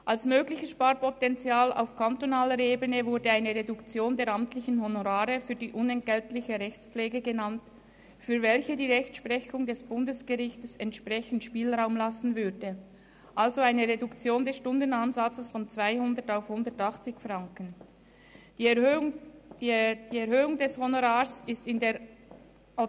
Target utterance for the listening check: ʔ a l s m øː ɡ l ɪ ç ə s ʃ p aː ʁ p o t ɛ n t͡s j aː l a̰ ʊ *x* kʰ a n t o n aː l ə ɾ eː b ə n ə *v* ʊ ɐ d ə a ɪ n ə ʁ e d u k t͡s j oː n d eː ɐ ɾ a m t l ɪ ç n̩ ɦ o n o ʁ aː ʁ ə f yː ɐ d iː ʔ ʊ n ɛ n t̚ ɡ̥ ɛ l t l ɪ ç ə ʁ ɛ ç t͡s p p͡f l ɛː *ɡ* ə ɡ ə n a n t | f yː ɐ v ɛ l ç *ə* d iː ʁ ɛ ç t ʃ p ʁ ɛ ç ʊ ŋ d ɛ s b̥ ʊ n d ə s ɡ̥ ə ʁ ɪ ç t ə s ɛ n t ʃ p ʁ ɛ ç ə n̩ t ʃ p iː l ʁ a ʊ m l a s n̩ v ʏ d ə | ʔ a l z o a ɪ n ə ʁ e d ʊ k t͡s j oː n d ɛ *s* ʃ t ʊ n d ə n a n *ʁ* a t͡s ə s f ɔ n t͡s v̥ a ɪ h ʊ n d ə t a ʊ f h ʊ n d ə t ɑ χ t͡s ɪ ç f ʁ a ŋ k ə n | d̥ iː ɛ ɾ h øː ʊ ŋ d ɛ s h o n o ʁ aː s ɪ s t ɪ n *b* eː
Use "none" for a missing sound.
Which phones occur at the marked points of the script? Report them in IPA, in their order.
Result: f, v, ɡ, ə, s, z, d

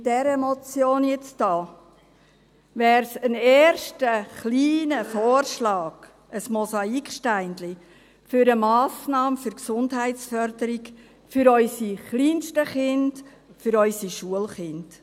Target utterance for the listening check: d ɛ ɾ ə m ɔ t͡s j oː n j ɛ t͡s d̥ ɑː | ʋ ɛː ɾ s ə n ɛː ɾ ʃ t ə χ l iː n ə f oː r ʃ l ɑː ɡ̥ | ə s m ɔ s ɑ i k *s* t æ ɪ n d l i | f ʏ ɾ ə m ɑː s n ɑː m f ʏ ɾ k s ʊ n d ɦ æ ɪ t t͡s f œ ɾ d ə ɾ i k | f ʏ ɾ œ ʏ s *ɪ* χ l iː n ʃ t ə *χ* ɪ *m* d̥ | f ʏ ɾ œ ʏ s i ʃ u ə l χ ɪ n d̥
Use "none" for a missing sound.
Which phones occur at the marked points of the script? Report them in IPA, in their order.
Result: ʃ, i, χ, n

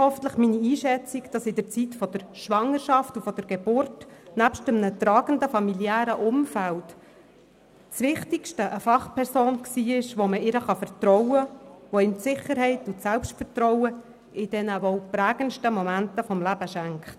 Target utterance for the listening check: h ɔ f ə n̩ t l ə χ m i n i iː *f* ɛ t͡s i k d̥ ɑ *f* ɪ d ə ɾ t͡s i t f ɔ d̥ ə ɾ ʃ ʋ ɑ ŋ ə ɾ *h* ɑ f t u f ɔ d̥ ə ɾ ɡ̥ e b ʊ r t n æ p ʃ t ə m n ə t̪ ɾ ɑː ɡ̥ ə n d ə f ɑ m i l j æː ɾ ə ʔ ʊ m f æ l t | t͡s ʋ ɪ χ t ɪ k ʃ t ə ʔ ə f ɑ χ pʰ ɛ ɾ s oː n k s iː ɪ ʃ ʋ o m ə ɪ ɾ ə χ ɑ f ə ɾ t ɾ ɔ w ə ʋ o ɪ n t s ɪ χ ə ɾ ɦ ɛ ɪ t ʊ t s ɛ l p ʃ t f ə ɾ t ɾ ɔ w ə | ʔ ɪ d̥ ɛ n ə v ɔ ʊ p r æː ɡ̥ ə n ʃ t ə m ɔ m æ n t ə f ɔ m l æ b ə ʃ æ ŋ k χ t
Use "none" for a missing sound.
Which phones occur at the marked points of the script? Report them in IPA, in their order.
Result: ʃ, s, ʃ

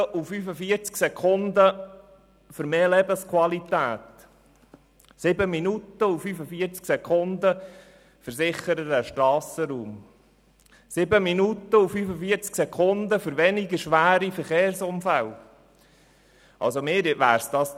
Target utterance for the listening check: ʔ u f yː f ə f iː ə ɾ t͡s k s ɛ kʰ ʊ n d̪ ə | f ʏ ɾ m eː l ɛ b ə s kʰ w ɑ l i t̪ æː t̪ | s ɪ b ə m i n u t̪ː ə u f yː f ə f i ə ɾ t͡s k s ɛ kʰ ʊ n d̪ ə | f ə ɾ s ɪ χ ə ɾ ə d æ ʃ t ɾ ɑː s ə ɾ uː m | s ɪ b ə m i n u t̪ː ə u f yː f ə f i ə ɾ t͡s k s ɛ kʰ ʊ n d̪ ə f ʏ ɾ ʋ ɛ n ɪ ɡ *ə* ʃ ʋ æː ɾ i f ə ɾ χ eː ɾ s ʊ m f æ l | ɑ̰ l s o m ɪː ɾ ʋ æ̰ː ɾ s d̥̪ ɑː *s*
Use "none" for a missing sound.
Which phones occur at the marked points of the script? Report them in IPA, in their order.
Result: ə, s

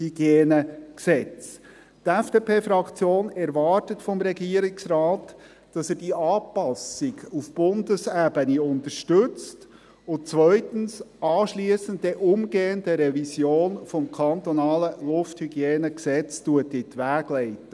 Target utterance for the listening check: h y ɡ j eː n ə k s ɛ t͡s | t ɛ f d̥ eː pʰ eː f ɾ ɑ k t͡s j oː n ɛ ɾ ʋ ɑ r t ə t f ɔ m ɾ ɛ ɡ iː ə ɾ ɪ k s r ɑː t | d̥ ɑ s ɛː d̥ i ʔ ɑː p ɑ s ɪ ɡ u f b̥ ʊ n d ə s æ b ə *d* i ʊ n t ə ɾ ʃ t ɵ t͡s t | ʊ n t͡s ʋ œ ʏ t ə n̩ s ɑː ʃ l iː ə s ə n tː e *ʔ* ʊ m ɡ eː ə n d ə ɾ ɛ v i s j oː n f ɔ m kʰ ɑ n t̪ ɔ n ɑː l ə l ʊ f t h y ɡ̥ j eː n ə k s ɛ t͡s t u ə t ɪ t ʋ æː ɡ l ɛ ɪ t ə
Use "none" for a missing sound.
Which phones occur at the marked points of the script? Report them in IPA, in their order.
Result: n, ʔ

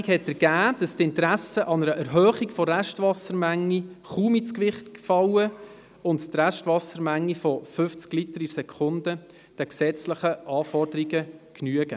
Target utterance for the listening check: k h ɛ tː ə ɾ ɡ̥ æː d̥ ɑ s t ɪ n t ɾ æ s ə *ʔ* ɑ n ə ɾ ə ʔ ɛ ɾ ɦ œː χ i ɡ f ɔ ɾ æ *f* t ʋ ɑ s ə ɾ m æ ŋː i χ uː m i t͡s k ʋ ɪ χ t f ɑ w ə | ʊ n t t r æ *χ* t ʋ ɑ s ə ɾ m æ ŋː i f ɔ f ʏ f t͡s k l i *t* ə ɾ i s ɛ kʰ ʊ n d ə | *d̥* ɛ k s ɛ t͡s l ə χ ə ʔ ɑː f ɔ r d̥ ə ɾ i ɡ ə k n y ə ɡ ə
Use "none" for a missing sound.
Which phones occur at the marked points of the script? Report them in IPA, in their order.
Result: ʔ, ʃ, ʃ, t, d̥

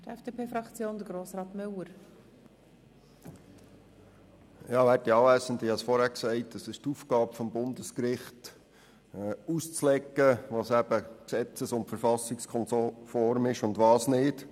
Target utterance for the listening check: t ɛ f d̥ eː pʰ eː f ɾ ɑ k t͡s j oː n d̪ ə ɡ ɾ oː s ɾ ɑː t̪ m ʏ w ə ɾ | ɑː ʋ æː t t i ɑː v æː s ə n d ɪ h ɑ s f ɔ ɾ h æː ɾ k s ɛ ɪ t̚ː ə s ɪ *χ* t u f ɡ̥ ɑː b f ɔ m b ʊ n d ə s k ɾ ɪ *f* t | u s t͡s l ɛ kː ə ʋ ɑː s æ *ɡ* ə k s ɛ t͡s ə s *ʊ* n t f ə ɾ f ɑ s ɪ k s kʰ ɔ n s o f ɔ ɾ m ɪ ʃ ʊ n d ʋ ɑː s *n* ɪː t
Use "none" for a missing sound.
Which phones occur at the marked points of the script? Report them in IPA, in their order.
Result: ʃ, χ, b, ʊ, n

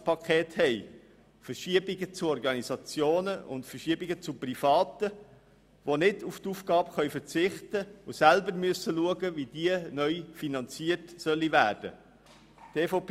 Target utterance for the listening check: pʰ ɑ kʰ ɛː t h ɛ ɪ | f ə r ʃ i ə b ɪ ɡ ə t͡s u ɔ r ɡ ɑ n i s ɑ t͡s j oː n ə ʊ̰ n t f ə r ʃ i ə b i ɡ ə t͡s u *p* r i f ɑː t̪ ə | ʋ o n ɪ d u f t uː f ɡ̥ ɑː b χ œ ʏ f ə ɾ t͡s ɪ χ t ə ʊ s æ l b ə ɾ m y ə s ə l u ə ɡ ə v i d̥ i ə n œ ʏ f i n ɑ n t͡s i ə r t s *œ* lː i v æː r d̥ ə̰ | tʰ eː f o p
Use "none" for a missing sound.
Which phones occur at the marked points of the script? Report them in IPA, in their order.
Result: p, œ

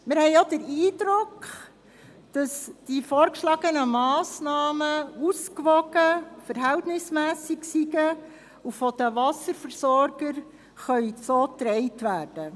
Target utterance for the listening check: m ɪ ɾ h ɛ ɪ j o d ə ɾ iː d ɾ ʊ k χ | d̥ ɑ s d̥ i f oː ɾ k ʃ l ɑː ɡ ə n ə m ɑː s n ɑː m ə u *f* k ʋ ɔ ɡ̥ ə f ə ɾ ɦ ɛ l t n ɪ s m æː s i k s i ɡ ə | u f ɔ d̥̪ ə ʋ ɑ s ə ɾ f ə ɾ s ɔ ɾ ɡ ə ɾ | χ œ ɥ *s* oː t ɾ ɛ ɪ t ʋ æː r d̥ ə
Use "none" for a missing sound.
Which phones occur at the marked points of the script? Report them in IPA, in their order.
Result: s, s

